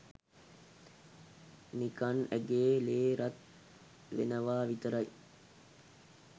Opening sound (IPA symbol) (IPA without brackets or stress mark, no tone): n